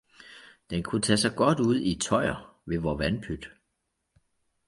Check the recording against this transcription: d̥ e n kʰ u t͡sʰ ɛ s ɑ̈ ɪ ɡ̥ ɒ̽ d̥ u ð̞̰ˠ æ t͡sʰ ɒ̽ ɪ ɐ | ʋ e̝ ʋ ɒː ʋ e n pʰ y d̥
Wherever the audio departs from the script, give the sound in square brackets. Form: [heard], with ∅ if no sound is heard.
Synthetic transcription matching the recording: d̥ e n kʰ u t͡sʰ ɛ s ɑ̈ ɪ ɡ̥ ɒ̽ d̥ u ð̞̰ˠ [i] t͡sʰ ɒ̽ ɪ ɐ | ʋ e̝ ʋ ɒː ʋ [æ] n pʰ y d̥

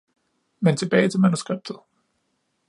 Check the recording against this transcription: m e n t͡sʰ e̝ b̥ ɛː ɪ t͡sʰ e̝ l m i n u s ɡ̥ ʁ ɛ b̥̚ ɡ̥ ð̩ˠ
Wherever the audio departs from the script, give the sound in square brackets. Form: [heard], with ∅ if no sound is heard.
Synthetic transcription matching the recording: m e n t͡sʰ e̝ b̥ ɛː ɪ t͡sʰ e̝ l m [æ] n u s ɡ̥ ʁ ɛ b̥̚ [d̥] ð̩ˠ

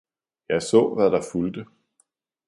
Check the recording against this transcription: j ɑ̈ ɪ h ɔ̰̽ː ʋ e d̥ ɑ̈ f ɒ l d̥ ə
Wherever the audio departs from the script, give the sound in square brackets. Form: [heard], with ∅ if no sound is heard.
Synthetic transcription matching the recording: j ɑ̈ ɪ [s] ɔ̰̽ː ʋ [æ] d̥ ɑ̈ f [u] l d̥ ə

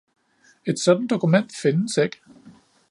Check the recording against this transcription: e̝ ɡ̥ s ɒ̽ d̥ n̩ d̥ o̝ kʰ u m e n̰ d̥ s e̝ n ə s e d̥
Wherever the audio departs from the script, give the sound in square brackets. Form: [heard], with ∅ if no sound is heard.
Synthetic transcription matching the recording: e̝ [d̥] s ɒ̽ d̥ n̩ d̥ o̝ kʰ u m e n̰ d̥ [f] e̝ n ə s e [ɡ̥]

